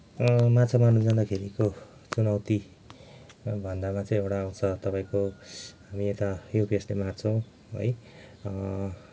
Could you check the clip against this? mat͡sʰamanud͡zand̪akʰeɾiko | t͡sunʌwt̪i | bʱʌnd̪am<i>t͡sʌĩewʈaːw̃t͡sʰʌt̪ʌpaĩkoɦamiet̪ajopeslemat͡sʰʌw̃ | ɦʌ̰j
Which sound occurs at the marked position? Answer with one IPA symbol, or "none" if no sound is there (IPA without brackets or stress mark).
a